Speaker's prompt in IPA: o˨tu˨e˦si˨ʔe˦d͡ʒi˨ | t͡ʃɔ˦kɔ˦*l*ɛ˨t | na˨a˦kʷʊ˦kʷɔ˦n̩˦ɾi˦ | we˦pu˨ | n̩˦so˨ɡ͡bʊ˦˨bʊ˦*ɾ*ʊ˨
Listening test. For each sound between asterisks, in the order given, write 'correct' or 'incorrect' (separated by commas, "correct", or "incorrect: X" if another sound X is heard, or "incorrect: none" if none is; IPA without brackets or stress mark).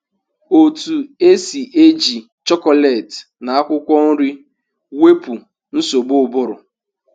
correct, correct